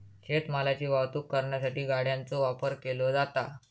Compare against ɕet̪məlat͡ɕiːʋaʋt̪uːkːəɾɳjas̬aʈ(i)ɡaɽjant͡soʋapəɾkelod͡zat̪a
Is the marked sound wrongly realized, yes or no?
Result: yes